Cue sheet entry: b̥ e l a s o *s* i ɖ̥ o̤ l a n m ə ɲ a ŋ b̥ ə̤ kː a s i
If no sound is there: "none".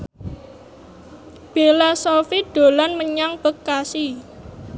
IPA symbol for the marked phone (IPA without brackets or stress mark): f